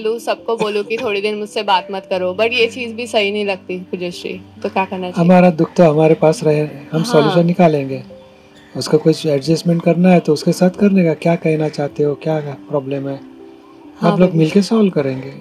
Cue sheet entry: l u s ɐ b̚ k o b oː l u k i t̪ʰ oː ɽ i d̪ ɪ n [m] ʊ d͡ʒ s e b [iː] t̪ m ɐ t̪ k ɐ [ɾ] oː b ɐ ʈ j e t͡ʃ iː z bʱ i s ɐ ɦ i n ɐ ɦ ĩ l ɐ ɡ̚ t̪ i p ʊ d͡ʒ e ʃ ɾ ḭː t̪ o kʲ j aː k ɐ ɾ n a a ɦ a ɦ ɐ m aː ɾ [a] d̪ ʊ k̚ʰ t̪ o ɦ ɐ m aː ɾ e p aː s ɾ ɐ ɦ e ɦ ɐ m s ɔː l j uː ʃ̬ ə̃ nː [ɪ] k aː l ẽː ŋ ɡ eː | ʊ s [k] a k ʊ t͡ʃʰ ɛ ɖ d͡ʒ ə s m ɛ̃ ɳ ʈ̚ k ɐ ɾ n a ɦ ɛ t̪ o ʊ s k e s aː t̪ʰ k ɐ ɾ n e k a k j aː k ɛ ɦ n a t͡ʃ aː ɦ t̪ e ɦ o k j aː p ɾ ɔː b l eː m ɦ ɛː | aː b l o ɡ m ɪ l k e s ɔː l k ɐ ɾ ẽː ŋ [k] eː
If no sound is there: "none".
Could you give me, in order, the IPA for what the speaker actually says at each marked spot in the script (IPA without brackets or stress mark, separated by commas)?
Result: m, aː, ɾ, a, ɪ, k, ɡ